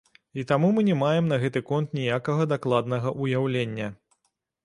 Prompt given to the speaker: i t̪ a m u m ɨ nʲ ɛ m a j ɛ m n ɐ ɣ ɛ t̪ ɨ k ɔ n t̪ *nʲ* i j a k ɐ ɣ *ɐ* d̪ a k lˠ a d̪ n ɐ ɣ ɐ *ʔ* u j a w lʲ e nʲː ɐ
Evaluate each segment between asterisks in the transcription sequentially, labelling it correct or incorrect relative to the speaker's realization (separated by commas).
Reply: correct, correct, correct